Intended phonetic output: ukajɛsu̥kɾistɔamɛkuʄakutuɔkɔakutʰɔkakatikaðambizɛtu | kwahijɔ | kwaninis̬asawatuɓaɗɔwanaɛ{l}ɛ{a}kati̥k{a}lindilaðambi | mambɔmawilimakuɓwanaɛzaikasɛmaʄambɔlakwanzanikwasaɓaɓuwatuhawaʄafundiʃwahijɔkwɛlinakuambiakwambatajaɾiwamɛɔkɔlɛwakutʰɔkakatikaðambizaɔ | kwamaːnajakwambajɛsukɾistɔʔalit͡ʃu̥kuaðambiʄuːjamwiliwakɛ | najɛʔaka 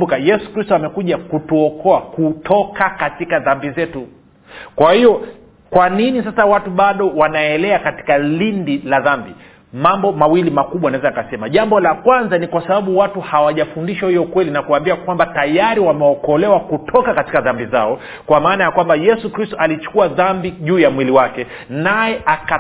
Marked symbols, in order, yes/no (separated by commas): yes, yes, yes